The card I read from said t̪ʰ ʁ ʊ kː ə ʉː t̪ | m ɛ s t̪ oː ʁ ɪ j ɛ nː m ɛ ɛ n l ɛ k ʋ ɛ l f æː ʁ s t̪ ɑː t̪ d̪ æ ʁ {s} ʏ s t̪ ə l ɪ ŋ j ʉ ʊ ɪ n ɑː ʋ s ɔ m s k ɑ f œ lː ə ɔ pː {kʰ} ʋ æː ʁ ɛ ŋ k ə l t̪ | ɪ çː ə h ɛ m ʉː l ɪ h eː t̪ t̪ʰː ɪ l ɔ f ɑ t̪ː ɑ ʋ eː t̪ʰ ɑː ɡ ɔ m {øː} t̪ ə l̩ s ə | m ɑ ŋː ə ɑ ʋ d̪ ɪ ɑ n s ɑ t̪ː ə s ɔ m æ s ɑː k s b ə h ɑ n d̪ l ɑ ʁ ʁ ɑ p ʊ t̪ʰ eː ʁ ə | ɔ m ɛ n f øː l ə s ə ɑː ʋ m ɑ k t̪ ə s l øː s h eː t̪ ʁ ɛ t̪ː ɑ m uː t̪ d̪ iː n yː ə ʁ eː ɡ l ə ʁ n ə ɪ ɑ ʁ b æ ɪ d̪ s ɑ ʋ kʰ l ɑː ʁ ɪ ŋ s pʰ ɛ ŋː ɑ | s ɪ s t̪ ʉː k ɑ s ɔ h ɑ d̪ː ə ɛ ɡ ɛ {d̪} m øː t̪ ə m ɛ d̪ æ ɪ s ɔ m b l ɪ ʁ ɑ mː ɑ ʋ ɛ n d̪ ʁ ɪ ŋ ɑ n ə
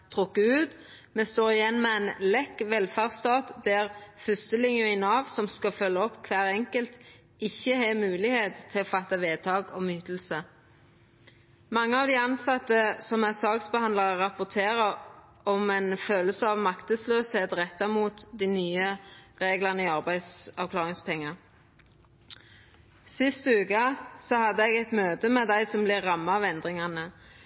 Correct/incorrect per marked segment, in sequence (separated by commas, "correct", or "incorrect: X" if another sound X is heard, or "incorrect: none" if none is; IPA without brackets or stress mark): incorrect: f, correct, incorrect: yː, incorrect: t̪